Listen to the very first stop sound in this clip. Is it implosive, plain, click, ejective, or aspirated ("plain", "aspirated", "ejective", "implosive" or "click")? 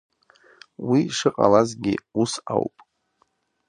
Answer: ejective